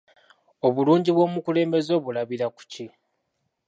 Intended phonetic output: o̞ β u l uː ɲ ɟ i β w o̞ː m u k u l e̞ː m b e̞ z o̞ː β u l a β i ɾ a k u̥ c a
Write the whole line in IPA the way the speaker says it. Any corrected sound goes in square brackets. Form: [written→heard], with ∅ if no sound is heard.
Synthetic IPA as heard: o̞ β u l uː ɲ ɟ i β w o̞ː m u k u l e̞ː m b e̞ z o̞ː β u l a β i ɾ a k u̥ c [a→i]